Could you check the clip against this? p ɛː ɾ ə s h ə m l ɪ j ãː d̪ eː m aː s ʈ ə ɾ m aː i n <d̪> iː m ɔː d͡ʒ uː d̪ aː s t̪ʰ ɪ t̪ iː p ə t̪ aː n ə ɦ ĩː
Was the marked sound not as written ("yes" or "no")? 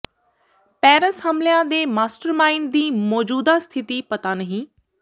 no